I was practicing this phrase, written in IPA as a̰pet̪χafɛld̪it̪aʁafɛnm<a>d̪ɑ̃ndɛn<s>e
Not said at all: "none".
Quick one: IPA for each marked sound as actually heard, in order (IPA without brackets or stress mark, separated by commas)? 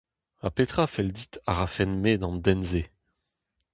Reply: e, z